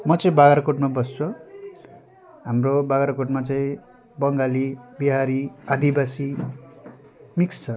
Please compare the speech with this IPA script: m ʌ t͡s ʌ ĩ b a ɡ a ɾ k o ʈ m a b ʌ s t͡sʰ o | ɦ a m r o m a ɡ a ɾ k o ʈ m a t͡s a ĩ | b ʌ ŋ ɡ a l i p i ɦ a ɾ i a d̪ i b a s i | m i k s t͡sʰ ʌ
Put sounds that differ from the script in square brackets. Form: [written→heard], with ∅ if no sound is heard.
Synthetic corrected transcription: m ʌ t͡s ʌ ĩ b a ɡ a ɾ k o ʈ m a b ʌ s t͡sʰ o | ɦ a m r o [m→b] a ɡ a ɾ k o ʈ m a t͡s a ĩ | b ʌ ŋ ɡ a l i [p→b] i ɦ a ɾ i a d̪ i b a s i | m i k s t͡sʰ ʌ